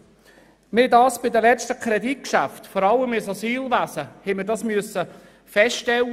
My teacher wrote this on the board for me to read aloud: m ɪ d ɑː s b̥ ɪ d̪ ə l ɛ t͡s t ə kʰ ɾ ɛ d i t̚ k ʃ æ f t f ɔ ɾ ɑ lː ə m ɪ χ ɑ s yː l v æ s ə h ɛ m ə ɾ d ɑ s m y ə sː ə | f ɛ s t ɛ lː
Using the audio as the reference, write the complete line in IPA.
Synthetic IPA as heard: m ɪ d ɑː s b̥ ɪ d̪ ə l ɛ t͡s t ə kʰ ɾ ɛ d i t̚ k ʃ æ f t f ɔ ɾ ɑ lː ə m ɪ s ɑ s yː l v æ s ə h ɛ m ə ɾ d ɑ s m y ə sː ə | f ɛ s t ɛ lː